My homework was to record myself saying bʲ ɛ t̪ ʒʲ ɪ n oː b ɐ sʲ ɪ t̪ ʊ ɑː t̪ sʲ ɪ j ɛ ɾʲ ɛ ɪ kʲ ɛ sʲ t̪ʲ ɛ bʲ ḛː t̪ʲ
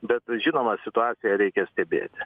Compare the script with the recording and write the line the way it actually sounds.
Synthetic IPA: bʲ ɛ t̪ ʒʲ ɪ n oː m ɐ sʲ ɪ t̪ ʊ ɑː t̪ sʲ ɪ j ɛ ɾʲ ɛ ɪ kʲ ɛ sʲ t̪ʲ ɛ bʲ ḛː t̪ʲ